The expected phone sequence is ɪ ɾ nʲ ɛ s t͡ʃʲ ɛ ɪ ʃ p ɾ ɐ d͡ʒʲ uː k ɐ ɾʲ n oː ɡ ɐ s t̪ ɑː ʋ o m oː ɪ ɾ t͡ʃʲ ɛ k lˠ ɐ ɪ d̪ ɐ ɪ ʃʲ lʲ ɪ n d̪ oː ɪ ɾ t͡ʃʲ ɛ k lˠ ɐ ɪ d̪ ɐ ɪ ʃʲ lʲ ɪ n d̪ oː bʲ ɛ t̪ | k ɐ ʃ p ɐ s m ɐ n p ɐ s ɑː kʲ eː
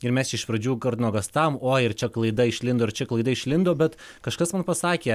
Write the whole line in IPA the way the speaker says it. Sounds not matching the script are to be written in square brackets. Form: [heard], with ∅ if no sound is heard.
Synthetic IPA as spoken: ɪ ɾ [mʲ] ɛ s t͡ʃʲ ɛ ɪ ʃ p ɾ ɐ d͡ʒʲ uː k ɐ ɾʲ n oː ɡ ɐ s t̪ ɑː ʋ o m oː ɪ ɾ t͡ʃʲ ɛ k lˠ ɐ ɪ d̪ ɐ ɪ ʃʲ lʲ ɪ n d̪ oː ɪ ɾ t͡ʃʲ ɛ k lˠ ɐ ɪ d̪ ɐ ɪ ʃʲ lʲ ɪ n d̪ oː bʲ ɛ t̪ | k ɐ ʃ [k] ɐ s m ɐ n p ɐ s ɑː kʲ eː